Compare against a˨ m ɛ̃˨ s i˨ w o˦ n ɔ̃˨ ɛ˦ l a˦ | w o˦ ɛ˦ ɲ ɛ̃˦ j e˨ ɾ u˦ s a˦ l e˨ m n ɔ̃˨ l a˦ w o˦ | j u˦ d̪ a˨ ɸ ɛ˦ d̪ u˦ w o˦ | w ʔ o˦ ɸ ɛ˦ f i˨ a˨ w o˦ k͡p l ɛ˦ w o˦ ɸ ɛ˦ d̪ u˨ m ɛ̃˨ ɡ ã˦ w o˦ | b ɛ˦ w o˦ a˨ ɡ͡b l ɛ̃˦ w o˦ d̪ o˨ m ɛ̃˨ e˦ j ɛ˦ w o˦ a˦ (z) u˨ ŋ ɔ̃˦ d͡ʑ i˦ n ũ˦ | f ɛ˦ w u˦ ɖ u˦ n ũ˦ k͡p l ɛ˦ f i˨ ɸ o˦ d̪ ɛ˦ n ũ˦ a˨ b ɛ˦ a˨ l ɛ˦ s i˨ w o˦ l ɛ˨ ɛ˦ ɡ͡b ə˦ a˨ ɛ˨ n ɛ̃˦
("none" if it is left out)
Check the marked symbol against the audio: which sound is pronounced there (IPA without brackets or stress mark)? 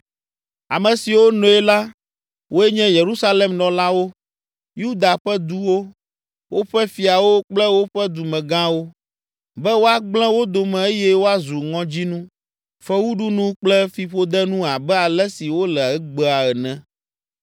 z